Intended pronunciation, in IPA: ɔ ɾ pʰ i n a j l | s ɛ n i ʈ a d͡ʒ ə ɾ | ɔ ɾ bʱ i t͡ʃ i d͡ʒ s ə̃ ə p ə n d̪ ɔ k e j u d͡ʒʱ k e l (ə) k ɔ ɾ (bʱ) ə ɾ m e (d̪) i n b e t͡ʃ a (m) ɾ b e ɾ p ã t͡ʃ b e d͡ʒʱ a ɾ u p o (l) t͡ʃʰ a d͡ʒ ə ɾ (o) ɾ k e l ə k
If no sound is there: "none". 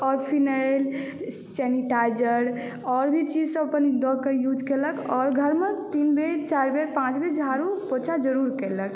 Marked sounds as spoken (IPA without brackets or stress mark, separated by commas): ə, ɡʱ, t̪, none, none, u